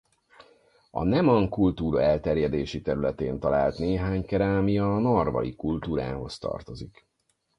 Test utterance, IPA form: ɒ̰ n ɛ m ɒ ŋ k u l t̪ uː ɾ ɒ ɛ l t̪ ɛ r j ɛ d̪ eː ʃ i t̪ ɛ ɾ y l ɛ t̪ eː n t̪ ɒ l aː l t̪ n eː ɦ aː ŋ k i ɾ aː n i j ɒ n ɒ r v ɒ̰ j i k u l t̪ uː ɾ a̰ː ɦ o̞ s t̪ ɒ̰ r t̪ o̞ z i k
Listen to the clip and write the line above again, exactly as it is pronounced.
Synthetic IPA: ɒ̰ n ɛ m ɒ ŋ k u l t̪ uː ɾ ɒ ɛ l t̪ ɛ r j ɛ d̪ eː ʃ i t̪ ɛ ɾ y l ɛ t̪ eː n t̪ ɒ l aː l t̪ n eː ɦ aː ɲ k ɛ ɾ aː m i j ɒ n ɒ r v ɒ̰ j i k u l t̪ uː ɾ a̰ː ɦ o̞ s t̪ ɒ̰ r t̪ o̞ z i k